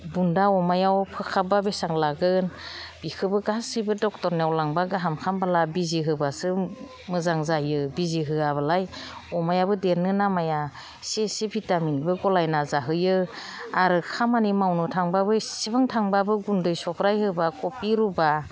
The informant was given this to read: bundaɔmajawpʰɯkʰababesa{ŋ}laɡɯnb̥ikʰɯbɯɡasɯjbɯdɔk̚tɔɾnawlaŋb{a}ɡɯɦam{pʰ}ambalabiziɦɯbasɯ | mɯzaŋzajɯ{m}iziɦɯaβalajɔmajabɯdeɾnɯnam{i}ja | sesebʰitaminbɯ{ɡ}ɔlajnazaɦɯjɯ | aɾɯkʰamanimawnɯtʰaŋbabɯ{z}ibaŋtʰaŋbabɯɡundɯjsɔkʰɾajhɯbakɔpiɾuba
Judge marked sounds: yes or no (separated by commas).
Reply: yes, yes, no, no, no, yes, no